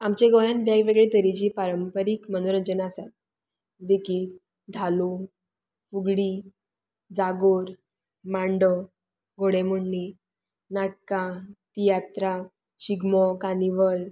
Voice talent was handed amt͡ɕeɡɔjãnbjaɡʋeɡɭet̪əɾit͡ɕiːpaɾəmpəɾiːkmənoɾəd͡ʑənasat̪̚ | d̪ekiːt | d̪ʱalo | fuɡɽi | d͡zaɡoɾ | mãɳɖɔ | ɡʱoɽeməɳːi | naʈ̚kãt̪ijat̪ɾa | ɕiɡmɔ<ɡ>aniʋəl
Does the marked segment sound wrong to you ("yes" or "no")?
yes